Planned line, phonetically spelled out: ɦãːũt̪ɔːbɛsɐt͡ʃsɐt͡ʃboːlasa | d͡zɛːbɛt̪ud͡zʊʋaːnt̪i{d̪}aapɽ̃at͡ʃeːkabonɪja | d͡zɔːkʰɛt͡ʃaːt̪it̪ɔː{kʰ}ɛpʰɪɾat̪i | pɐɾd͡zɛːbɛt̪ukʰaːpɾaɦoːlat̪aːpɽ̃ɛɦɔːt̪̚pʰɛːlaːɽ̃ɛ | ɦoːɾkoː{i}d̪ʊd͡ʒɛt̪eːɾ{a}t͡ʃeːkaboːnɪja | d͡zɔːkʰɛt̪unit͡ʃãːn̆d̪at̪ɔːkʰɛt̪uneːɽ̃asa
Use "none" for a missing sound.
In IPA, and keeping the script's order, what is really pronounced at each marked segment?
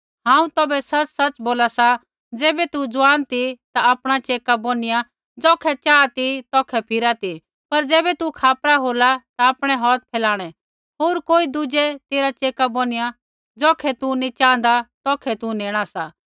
t̪, kʰ, i, a

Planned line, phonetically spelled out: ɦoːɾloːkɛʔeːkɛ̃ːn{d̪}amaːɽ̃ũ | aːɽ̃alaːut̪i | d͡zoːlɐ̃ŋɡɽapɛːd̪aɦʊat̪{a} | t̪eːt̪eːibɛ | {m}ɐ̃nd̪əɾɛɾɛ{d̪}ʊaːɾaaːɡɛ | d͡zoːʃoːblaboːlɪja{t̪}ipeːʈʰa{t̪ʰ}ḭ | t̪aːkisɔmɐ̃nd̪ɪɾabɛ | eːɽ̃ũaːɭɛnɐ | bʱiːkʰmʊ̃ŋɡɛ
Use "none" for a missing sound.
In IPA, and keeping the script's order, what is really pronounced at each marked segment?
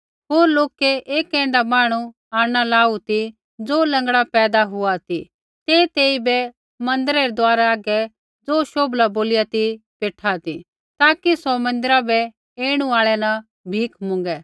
d̪, i, m, d̪, t̪, t̪

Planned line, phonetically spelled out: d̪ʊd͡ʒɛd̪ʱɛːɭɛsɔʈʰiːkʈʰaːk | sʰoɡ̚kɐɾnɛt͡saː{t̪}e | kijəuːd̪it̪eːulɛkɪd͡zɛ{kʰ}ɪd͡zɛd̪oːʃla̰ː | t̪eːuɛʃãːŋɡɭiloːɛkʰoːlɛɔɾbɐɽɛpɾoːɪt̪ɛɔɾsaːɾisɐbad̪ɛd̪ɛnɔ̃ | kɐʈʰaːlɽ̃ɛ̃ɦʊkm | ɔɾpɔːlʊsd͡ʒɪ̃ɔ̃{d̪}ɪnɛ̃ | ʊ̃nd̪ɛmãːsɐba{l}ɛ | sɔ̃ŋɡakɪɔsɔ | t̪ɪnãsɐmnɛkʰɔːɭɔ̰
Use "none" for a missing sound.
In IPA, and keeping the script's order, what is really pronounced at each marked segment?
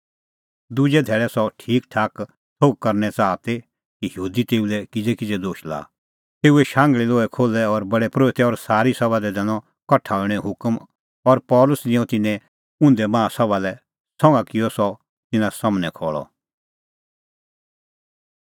t̪, k, t̪, l

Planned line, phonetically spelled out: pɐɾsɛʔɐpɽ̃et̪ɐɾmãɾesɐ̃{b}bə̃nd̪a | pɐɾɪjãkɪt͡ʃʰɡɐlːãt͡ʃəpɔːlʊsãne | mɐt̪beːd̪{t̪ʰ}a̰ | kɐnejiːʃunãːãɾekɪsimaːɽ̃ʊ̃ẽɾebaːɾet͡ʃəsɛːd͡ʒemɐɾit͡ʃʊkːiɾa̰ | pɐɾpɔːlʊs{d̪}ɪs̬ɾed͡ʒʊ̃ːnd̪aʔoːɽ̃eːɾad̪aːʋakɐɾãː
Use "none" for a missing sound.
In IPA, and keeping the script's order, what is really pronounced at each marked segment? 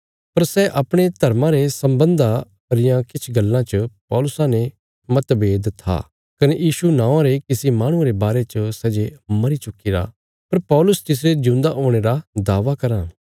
m, t̪ʰ, t̪

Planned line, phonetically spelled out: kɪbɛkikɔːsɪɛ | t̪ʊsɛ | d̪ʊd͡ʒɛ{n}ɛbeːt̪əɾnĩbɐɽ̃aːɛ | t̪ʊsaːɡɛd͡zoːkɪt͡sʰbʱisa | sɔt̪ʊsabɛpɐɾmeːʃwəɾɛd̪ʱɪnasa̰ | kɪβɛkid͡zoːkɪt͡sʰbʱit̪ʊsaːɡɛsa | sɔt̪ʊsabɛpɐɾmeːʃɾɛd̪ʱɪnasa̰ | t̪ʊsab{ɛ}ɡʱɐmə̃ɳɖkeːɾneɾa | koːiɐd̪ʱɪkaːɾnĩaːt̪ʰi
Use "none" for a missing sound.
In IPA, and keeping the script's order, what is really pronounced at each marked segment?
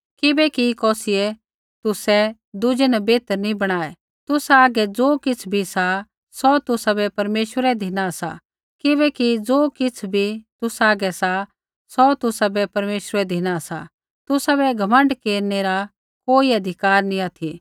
n, ɛ

